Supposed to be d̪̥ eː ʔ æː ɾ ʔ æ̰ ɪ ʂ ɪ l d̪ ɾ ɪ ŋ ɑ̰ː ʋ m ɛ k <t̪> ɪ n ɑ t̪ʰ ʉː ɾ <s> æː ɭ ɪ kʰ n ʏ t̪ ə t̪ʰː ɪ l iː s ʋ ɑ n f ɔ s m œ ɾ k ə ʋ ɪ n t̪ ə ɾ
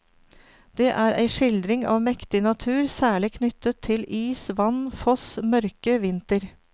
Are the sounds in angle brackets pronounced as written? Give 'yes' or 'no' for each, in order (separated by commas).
yes, yes